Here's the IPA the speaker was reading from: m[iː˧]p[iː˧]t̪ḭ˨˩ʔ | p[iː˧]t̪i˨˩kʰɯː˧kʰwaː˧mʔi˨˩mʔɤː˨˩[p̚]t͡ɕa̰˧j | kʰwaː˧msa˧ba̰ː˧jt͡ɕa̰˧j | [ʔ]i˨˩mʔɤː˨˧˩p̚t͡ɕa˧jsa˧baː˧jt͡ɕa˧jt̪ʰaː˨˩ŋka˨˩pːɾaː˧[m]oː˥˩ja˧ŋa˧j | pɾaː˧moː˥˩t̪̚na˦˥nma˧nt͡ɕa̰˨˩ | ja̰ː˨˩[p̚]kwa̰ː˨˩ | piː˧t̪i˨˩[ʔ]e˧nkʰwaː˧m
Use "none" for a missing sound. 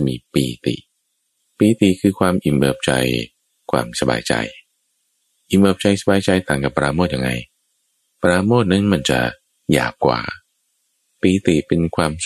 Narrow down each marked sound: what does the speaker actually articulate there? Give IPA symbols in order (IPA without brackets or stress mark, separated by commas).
iː˧, iː˧, iː˧, p̚, ʔ, m, p̚, p